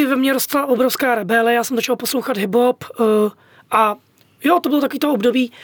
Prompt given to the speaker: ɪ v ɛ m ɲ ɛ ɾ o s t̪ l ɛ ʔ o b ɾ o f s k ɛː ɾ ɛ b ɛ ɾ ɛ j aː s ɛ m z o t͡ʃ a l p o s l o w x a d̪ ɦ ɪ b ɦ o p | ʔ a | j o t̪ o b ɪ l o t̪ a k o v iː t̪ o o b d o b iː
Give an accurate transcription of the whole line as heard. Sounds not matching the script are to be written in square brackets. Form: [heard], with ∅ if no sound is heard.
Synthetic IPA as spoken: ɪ v ɛ m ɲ ɛ ɾ o s t̪ l [a] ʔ o b ɾ o f s k [aː] ɾ ɛ b ɛ [l] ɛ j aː s ɛ m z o t͡ʃ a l p o s l o w x a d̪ ɦ ɪ b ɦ o p | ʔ a | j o t̪ o b ɪ l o t̪ a k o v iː t̪ o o b d o b iː